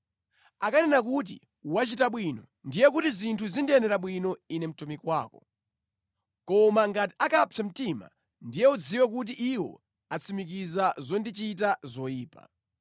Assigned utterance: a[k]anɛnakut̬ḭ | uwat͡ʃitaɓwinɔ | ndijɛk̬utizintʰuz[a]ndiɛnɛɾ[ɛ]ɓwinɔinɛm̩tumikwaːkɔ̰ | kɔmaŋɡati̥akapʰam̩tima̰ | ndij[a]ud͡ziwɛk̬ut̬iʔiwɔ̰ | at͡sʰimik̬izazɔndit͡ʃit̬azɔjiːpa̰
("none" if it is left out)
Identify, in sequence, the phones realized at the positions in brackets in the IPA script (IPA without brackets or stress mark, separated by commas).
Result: k, i, a, ɛ